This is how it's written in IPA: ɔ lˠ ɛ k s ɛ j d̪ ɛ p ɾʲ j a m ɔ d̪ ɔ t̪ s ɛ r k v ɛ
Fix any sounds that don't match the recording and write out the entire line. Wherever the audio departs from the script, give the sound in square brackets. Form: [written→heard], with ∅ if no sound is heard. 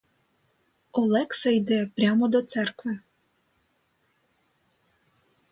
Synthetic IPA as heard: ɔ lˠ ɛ k s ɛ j d̪ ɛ p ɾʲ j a m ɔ d̪ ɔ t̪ s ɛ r k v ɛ